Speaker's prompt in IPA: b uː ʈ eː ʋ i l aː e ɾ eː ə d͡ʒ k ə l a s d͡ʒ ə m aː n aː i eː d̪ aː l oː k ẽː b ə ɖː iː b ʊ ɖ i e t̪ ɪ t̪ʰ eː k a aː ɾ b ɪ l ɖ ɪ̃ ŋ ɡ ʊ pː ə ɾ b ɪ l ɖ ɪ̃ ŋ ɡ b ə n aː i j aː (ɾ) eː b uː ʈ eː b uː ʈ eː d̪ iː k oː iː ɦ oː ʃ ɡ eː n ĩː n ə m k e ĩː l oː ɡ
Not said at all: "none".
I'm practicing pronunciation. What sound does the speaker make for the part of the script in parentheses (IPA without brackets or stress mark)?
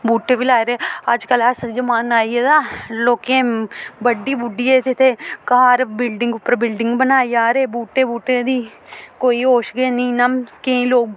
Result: ɾ